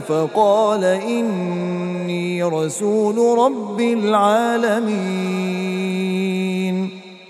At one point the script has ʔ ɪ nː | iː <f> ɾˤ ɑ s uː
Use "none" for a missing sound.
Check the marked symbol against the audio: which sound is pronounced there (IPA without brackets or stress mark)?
none